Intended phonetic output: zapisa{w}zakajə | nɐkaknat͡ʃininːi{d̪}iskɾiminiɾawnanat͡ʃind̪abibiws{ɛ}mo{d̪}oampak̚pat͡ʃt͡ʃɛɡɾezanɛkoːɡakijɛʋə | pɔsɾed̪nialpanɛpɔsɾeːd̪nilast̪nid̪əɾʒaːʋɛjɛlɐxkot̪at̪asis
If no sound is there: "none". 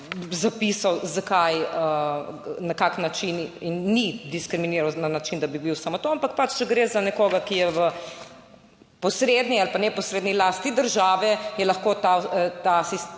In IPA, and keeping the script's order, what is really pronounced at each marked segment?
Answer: w, d̪, a, t̪

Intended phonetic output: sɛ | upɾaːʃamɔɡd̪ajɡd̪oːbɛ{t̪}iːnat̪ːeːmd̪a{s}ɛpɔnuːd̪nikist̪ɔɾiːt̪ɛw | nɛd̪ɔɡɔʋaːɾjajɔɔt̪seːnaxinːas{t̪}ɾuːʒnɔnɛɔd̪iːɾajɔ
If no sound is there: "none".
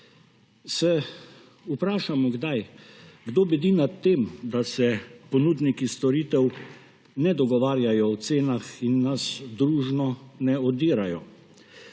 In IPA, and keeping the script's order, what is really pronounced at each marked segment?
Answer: d̪, s, d̪

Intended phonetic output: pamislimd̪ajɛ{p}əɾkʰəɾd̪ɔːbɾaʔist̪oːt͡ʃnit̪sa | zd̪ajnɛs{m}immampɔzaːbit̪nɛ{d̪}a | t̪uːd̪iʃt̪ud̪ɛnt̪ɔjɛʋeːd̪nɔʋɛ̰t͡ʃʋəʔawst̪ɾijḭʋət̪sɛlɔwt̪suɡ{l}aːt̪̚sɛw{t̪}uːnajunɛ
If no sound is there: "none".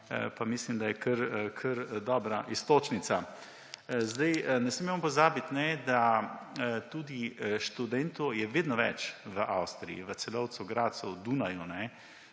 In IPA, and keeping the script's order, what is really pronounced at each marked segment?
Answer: k, m, d̪, ɾ, d̪

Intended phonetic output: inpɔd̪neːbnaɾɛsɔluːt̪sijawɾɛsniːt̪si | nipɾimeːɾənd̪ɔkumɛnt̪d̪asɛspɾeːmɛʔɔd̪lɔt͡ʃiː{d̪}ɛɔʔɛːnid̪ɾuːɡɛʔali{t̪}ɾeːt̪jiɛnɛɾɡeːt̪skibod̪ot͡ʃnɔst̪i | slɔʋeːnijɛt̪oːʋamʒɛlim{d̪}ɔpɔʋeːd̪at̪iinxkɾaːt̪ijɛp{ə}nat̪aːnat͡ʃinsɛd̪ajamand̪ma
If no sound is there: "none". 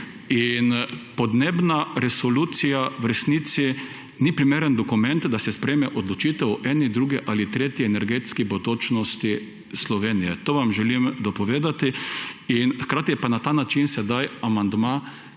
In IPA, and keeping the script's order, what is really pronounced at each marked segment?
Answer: t̪, t̪, d̪, a

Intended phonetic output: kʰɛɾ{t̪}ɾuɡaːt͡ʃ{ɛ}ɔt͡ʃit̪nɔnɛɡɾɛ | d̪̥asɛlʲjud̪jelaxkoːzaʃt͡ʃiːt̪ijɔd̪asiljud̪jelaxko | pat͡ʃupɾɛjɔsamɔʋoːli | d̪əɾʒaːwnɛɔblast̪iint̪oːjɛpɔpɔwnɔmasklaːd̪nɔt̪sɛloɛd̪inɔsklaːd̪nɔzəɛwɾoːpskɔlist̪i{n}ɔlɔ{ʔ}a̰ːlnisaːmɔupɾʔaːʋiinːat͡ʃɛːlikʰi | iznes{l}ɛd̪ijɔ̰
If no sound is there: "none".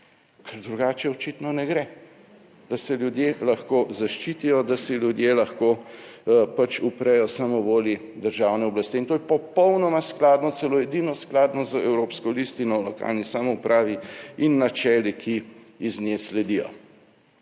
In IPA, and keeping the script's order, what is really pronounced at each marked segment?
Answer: d̪, ɛ, n, k, l

